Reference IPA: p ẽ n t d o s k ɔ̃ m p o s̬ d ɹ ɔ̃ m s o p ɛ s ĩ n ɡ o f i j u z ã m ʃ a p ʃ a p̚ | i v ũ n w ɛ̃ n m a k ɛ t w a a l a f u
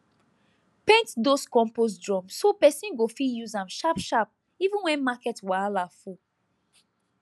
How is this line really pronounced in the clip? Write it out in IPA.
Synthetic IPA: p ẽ n t d o s k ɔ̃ m p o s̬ d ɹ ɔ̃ m s o p ɛ s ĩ n ɡ o f i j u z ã m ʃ a p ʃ a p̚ | i v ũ n w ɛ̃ n m a k ɛ t w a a l a f u

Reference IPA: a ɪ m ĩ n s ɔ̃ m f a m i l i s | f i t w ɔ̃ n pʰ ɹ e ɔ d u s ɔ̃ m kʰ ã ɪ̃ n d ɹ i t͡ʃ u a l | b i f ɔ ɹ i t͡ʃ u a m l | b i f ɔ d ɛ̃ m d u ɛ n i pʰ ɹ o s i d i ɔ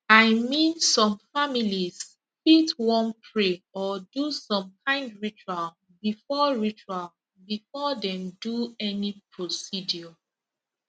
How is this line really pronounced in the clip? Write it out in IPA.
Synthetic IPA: a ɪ m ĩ n s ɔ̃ m f a m i l i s | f i t w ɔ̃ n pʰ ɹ e ɔ d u s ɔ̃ m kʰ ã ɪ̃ n d ɹ i t͡ʃ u a l | b i f ɔ ɹ i t͡ʃ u a l | b i f ɔ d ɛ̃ m d u ɛ n i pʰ ɹ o s i d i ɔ

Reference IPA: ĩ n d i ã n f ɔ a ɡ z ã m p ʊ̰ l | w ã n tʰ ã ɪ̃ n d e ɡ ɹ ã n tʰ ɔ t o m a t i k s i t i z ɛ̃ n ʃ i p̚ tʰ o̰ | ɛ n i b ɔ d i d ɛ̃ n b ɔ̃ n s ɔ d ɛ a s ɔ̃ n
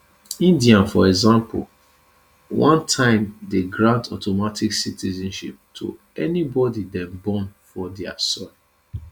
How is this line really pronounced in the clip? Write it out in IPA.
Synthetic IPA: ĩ n d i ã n f ɔ ɛ ɡ z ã m p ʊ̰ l | w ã n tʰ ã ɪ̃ m d e ɡ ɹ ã n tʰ ɔ t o m a t i k s i t i z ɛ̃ n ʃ i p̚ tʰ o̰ | ɛ n i b ɔ d i d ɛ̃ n b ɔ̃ n f ɔ d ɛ a s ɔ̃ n

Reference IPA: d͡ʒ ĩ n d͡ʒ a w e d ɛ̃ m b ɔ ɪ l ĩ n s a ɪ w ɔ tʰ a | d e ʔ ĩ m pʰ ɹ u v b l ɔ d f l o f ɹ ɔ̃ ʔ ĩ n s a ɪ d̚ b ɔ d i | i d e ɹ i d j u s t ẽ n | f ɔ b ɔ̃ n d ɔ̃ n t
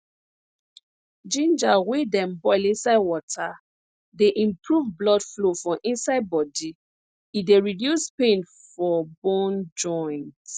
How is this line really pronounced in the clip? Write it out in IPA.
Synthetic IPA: d͡ʒ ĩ n d͡ʒ a w e d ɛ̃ m b ɔ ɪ l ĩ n s a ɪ w ɔ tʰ a | d e ʔ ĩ m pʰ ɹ u v b l ɔ d f l o f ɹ ɔ̃ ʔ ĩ n s a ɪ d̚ b ɔ d i | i d e ɹ i d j u s p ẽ n | f ɔ b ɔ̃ n d͡ʒ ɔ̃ n t

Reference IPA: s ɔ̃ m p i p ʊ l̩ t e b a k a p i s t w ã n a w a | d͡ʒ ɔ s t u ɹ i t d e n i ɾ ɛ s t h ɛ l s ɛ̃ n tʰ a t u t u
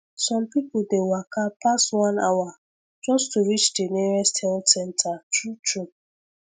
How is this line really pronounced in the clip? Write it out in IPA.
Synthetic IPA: s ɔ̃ m p i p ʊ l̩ d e w a k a p a s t w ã n a w a | d͡ʒ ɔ s t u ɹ i t͡ʃ d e n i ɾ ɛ s t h ɛ l s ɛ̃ n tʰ a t u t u

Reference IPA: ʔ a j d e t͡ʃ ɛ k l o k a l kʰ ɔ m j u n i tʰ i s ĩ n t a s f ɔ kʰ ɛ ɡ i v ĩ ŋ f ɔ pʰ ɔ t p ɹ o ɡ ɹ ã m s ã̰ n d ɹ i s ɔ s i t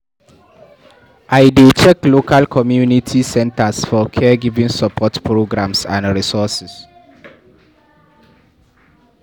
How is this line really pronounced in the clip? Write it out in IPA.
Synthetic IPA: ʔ a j d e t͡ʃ ɛ k l o k a l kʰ ɔ m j u n i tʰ i s ɛ̃ n t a s f ɔ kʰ ɛ ɡ i v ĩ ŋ s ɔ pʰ ɔ t p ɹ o ɡ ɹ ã m s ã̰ n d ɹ i s ɔ s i s

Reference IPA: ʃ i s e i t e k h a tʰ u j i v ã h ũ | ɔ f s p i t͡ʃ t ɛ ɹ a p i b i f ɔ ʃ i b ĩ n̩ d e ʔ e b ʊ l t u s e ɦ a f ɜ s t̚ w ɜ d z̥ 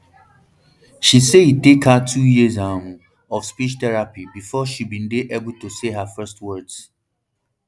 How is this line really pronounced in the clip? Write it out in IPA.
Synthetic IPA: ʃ i s e i t e k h a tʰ u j i z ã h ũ | ɔ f s p i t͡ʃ t ɛ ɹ a p i b i f ɔ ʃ i b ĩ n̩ d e ʔ e b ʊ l t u s e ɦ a f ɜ s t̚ w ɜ d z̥

